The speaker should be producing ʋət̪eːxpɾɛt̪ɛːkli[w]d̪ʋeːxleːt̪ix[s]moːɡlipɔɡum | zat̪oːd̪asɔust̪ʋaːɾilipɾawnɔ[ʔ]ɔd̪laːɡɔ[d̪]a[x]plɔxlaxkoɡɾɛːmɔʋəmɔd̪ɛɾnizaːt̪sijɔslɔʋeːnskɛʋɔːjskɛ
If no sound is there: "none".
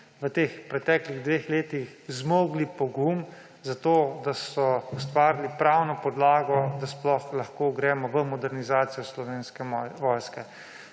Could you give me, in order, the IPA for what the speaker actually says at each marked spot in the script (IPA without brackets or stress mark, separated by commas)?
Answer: ɣ, z, p, d̪, s